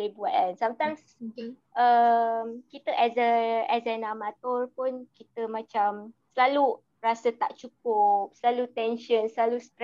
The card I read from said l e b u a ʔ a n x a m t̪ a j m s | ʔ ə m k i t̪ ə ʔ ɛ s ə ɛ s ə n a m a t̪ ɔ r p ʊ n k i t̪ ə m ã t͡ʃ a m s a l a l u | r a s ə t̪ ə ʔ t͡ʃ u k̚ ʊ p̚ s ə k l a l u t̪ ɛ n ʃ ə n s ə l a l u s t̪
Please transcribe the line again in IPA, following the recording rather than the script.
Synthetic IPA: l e b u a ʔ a n s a m t̪ a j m s | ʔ ə m k i t̪ ə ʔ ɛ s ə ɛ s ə n a m a t̪ ɔ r p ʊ n k i t̪ ə m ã t͡ʃ a m s ə l a l u | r a s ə t̪ a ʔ t͡ʃ u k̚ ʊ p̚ s ə l a l u t̪ ɛ n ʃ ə n s ə l a l u s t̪